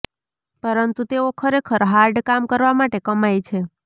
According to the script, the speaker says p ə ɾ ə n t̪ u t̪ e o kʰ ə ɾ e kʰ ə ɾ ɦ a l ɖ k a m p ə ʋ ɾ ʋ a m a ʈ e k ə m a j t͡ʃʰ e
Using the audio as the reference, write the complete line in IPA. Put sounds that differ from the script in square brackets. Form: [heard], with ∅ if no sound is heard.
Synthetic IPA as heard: p ə ɾ ə n t̪ u t̪ e o kʰ ə ɾ e kʰ ə ɾ ɦ a [ɾ] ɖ k a m [k] ə [∅] ɾ ʋ a m a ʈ e k ə m a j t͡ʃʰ e